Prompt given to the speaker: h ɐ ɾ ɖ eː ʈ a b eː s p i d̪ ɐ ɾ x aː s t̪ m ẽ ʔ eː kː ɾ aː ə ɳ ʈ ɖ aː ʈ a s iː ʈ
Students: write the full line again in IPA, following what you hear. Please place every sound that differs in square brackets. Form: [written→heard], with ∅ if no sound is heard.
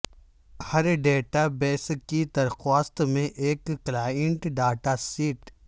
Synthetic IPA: h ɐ ɾ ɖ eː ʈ a b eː s [p→k] i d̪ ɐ ɾ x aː s t̪ m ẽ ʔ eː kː [ɾ→l] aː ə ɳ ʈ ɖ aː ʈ a s iː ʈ